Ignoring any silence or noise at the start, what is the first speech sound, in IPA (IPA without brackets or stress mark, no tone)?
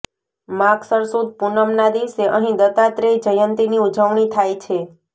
m